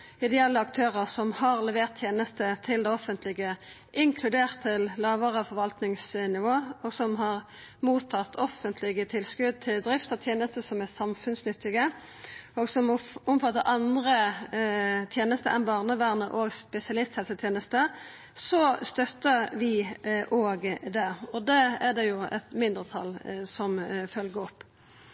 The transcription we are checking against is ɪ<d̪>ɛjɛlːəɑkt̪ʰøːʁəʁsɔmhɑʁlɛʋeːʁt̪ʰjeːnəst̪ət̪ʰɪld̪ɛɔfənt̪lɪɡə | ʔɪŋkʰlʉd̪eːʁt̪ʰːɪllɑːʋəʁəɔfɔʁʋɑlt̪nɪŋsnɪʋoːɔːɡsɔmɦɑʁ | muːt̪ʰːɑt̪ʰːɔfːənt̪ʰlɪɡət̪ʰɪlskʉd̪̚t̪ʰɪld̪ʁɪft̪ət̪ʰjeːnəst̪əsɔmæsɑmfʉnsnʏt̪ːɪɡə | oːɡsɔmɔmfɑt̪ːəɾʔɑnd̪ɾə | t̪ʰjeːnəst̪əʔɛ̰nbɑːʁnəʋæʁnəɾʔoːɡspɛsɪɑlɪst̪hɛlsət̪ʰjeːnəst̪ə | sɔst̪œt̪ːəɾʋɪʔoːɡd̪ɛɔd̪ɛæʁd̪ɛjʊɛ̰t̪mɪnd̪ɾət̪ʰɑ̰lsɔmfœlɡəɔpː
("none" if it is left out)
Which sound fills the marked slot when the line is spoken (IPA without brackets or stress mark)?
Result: d̪